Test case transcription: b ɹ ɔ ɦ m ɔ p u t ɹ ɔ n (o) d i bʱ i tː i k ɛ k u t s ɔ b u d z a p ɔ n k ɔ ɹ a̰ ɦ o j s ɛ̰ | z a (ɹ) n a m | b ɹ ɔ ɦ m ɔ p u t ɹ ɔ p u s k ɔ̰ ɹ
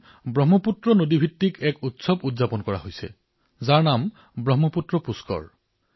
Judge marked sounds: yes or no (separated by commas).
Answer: yes, yes